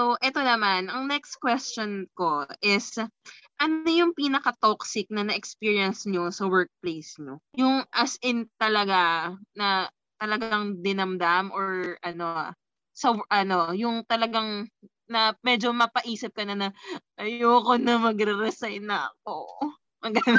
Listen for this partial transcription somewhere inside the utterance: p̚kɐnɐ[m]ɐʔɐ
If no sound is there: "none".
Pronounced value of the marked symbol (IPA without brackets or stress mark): n